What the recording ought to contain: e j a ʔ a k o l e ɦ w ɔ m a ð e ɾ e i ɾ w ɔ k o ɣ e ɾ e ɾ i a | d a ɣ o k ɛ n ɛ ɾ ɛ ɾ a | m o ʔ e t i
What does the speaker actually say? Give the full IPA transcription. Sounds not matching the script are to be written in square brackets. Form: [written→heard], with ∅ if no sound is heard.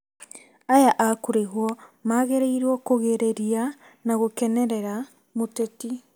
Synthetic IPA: [e→a] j a ʔ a k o [l→ɾ] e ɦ w ɔ m a [ð→ɣ] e ɾ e i ɾ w ɔ k o ɣ e ɾ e ɾ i a | [d→n] a ɣ o k ɛ n ɛ ɾ ɛ ɾ a | m o [ʔ→t] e t i